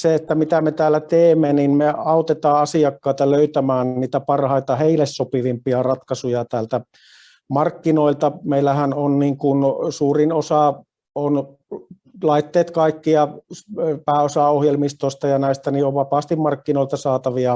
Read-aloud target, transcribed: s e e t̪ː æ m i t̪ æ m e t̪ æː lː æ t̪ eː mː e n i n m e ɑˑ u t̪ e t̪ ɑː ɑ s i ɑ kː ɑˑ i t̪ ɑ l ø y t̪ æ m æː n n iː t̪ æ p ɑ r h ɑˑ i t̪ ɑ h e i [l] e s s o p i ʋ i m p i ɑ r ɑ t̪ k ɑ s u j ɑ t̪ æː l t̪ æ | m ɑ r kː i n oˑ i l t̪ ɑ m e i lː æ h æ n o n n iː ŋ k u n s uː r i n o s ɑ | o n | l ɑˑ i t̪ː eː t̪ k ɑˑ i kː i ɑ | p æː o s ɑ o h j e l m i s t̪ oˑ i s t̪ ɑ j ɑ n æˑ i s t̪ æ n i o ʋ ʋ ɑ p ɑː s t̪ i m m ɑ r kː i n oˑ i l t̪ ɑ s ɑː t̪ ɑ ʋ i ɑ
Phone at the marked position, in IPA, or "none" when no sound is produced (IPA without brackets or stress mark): l